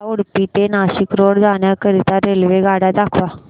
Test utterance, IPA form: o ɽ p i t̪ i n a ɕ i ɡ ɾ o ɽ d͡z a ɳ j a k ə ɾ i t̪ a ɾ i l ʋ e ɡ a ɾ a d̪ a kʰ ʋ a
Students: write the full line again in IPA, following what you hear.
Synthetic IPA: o ɽ p i t̪ e n a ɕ i k ɾ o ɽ d͡z a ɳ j a k ə ɾ i t̪ a ɾ e l ʋ e ɡ a ɽ a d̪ a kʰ ʋ a

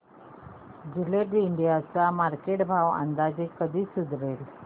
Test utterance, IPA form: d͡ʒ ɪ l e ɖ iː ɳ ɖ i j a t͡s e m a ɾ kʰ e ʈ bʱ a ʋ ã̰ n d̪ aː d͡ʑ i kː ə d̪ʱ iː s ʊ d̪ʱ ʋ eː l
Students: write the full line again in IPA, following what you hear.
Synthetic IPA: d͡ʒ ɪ l e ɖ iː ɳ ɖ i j a t͡s a m a ɾ k e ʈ bʱ a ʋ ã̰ n d̪ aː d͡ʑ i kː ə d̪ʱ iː s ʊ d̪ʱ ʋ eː l

